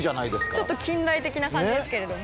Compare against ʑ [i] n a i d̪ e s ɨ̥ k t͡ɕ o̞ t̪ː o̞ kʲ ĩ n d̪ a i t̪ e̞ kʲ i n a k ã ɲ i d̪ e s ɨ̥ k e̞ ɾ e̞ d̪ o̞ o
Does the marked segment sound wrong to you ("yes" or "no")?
yes